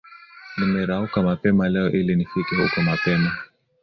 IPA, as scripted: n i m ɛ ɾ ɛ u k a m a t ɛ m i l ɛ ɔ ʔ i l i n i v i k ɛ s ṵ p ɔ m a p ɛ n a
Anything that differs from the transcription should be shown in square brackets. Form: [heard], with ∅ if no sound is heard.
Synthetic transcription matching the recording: n i m ɛ ɾ [a] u k a m a [p] ɛ m [a] l ɛ ɔ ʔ i l i n i [f] i k ɛ [h] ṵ [k] ɔ m a p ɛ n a